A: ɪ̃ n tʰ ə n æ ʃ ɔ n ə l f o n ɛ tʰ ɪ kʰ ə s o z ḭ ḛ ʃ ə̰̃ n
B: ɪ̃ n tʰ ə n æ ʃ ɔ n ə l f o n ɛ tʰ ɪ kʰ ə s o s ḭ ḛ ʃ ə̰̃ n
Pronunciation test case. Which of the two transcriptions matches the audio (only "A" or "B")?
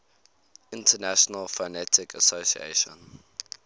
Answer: B